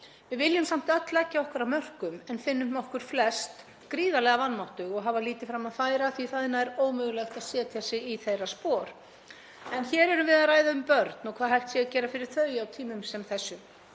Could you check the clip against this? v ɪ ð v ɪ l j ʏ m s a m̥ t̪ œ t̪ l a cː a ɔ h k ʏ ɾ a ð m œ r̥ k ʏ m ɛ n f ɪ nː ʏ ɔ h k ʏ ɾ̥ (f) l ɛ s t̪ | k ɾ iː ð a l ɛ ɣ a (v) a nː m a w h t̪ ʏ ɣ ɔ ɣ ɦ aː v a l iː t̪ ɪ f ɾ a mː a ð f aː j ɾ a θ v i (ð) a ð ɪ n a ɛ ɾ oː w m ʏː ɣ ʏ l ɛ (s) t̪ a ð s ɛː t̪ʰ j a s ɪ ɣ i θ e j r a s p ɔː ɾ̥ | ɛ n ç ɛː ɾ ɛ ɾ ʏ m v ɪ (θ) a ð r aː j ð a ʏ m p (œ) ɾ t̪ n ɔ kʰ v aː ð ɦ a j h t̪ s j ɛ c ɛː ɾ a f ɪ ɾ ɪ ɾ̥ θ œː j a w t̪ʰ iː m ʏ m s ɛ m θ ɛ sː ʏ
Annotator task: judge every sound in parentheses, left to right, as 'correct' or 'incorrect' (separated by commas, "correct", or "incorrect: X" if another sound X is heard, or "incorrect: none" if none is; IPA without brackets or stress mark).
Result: correct, correct, incorrect: θ, incorrect: x, incorrect: ð, correct